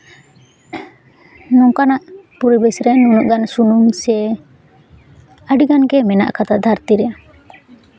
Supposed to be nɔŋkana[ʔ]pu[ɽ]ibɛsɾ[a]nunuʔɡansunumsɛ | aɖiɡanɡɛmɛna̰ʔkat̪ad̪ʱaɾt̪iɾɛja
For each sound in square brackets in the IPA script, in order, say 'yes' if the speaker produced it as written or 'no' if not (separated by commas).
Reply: yes, no, no